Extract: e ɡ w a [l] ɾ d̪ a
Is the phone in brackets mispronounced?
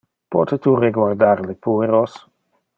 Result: yes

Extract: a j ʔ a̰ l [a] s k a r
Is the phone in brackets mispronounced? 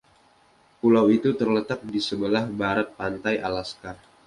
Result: no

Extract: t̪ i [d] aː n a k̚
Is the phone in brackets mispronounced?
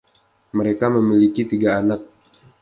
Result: yes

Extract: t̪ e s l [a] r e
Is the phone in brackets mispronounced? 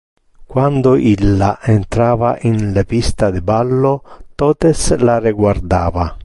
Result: no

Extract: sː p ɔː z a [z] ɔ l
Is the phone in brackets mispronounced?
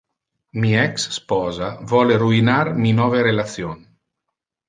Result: yes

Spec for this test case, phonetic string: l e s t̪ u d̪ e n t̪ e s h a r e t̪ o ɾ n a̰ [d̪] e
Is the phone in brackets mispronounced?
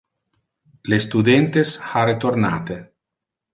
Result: yes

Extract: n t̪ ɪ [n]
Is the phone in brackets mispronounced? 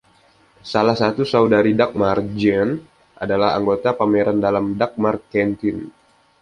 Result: no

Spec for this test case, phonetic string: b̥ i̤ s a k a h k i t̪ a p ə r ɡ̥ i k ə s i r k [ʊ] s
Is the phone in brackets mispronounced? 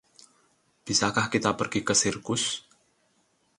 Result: no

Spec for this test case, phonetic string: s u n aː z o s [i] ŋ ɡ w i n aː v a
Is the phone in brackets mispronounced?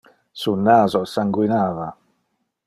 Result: yes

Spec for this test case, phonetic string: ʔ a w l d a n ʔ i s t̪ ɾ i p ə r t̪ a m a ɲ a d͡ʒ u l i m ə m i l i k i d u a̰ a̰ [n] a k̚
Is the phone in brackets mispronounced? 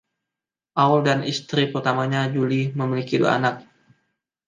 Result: no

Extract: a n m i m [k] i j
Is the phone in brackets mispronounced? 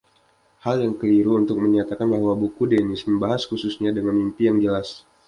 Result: yes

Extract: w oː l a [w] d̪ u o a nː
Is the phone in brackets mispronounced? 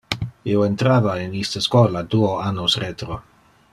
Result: yes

